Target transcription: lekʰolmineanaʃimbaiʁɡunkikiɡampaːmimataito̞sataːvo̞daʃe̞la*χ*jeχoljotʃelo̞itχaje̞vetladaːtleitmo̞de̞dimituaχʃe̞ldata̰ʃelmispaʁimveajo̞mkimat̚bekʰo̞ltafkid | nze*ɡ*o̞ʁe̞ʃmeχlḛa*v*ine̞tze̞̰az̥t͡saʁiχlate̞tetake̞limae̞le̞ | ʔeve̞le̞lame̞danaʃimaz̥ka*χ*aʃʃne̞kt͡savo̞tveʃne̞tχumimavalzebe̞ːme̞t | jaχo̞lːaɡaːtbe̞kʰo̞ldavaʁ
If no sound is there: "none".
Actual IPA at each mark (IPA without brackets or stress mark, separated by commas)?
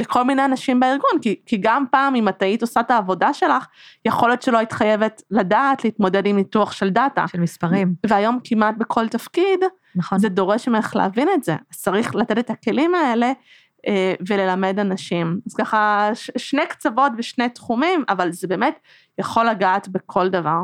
χ, d, v, χ